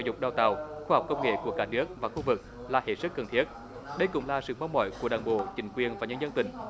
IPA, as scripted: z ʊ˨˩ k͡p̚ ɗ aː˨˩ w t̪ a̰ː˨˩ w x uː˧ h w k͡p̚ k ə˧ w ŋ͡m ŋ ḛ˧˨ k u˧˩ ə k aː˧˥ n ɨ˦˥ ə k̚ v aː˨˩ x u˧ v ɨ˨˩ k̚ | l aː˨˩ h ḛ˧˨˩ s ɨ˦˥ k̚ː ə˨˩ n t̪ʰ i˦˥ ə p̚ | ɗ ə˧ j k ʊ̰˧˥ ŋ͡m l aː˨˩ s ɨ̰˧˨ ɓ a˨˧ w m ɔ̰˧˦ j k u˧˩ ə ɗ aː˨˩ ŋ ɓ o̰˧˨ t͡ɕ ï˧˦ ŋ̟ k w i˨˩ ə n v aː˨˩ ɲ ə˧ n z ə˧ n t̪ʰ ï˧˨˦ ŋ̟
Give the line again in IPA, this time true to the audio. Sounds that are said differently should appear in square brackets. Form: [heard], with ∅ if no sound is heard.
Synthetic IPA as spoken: z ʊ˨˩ k͡p̚ ɗ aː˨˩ w t̪ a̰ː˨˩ w x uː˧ h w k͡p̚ k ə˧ w ŋ͡m ŋ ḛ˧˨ k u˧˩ ə k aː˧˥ n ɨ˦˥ ə k̚ v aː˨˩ x u˧ v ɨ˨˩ k̚ | l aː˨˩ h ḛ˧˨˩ s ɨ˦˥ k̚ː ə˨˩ n t̪ʰ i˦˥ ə [t̚] | ɗ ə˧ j k ʊ̰˧˥ ŋ͡m l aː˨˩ s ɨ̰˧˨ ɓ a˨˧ w m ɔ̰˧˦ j k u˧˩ ə ɗ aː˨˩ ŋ ɓ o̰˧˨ t͡ɕ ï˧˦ ŋ̟ k w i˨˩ ə n v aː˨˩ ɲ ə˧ n z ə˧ n [t̪] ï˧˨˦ ŋ̟